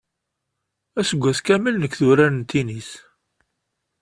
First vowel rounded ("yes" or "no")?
no